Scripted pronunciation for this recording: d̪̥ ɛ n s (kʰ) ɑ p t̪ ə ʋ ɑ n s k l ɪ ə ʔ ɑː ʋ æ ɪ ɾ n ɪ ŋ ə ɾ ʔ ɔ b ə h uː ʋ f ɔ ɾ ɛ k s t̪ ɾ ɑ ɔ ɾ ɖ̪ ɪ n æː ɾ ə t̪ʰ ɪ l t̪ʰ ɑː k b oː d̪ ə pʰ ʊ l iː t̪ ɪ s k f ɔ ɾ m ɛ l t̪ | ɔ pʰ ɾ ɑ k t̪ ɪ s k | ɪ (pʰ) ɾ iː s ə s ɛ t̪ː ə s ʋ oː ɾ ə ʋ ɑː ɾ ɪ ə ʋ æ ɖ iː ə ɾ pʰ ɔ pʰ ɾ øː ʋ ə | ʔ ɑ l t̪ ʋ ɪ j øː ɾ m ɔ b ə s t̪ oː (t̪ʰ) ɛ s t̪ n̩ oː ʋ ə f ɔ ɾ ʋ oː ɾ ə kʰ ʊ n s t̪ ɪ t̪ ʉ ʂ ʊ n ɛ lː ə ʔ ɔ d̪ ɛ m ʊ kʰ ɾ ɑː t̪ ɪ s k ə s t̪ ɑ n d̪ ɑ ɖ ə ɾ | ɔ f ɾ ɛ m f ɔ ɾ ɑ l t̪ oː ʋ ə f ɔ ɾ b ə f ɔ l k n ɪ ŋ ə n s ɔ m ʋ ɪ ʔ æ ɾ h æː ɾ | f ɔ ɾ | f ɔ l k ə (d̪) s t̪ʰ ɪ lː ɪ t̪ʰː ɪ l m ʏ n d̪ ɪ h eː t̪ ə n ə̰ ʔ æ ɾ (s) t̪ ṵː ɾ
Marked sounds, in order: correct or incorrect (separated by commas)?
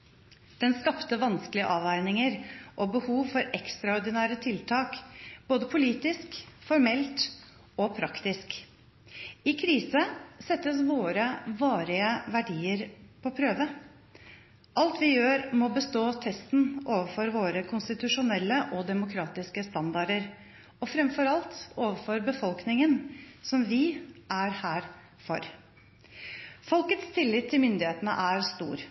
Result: incorrect, incorrect, correct, incorrect, correct